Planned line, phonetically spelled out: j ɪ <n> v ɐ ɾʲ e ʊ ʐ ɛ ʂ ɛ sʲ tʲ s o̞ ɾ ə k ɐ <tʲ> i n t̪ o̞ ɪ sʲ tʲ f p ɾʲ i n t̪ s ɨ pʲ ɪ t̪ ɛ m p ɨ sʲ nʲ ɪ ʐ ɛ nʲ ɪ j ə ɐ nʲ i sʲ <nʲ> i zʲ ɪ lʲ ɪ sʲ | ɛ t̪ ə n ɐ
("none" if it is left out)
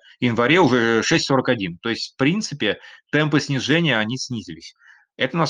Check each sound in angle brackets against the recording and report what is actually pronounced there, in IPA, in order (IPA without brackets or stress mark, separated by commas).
n, dʲ, nʲ